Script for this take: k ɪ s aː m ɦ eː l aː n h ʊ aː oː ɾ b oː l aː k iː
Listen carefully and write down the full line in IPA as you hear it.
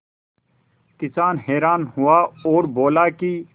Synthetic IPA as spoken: k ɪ s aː n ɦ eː ɾ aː n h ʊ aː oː ɾ b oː l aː k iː